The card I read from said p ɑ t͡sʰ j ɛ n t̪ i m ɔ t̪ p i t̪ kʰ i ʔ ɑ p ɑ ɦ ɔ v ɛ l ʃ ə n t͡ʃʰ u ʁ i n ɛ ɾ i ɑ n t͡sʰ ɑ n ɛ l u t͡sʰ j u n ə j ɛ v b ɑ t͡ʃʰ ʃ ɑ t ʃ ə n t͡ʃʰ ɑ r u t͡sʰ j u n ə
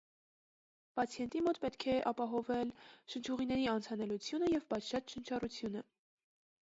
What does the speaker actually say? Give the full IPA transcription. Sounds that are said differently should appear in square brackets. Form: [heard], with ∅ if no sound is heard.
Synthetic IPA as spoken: p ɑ t͡sʰ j ɛ n t̪ i m ɔ t̪ p [ɛ] t̪ kʰ [ɛ] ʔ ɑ p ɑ ɦ ɔ v ɛ l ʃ ə n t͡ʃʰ u ʁ i n ɛ ɾ i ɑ n t͡sʰ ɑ n ɛ l u t͡sʰ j u n ə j ɛ v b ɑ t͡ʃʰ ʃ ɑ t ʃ ə n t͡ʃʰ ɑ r u t͡sʰ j u n ə